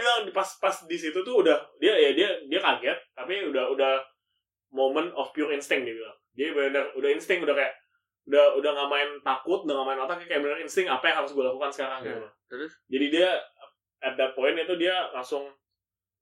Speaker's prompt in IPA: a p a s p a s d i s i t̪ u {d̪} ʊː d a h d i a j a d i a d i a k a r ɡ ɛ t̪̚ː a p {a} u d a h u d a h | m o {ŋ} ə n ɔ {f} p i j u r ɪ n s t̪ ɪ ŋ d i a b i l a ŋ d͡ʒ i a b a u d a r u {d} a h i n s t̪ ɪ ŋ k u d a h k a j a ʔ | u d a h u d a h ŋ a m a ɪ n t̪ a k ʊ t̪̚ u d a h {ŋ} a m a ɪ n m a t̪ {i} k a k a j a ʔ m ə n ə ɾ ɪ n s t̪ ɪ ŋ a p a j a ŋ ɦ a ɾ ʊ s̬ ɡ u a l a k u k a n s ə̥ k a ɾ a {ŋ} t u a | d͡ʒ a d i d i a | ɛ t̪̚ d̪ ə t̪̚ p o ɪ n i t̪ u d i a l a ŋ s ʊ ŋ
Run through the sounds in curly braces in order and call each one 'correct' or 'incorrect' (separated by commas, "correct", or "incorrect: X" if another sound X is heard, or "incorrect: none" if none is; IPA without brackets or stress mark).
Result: incorrect: t̪, incorrect: i, incorrect: m, correct, correct, correct, incorrect: a, correct